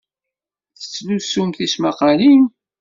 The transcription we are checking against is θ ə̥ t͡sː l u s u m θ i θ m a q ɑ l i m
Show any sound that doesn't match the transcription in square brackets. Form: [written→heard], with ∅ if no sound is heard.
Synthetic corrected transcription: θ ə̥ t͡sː l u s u m θ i [θ→s] m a q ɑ l i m